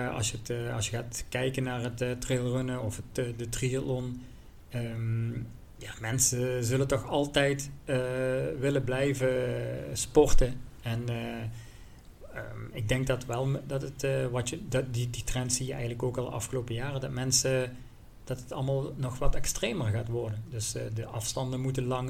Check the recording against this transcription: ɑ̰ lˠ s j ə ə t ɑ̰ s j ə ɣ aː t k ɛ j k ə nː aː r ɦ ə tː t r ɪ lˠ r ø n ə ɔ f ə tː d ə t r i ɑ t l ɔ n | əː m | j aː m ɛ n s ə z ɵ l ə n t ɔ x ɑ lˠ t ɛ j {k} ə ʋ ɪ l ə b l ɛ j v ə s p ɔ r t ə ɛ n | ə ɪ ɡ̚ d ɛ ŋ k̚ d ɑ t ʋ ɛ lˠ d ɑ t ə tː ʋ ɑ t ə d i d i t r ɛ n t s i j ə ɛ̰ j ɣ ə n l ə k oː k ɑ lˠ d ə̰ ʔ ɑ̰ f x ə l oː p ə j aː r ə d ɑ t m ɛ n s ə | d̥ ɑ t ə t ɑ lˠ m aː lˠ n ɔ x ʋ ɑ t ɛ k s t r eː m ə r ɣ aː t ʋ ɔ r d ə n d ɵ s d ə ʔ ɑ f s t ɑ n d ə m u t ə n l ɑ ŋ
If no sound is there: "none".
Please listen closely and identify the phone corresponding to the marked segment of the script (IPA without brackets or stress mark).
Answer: t